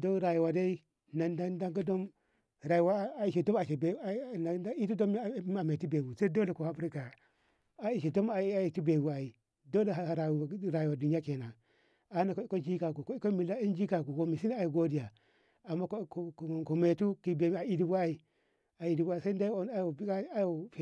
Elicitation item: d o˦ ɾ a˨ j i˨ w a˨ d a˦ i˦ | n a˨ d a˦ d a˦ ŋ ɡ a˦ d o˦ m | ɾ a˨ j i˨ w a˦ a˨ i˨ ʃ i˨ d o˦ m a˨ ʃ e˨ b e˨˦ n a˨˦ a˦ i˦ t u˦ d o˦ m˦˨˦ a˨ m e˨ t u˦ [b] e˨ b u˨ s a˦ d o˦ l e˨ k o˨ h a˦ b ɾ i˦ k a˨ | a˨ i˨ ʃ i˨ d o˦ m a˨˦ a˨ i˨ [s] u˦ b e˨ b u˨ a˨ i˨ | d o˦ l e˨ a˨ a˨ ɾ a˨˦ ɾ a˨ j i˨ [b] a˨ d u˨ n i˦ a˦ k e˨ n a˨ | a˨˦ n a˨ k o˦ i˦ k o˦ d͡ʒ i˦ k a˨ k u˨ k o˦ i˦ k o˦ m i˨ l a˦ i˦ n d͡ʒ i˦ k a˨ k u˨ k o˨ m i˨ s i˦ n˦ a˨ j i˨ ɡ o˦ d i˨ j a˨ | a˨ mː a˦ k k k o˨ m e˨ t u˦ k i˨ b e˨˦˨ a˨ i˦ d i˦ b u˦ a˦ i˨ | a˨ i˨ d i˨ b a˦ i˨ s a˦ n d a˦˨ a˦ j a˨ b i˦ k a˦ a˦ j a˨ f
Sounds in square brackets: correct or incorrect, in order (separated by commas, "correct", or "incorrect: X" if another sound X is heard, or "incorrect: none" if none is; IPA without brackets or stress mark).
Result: correct, incorrect: t, incorrect: w